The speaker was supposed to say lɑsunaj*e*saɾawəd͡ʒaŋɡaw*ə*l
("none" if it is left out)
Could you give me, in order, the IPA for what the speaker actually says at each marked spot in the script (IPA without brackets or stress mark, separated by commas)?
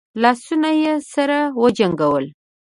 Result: e, ə